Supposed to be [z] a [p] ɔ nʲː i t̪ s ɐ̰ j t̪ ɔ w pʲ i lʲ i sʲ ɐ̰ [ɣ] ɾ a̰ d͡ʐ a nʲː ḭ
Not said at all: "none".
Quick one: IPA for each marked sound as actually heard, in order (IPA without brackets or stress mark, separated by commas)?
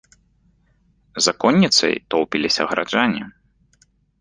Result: z, k, ɣ